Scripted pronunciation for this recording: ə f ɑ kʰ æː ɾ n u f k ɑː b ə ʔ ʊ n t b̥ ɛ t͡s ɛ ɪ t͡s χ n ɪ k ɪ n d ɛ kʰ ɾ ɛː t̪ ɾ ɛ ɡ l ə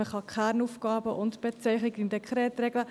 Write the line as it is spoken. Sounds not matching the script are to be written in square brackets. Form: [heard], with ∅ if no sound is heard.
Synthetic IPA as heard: ə [χ] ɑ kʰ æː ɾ n u f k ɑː b ə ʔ ʊ n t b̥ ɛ t͡s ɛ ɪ [∅] χ n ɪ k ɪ n d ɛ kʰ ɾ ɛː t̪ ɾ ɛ ɡ l ə